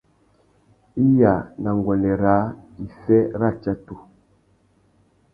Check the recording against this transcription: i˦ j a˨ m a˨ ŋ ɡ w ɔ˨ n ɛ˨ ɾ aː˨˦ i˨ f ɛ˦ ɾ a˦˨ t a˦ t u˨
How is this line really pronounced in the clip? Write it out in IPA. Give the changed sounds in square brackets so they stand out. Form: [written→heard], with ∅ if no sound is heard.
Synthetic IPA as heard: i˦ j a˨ [m→n] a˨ ŋ ɡ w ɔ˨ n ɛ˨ ɾ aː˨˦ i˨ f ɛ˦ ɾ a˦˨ [t→t͡ʃ] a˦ t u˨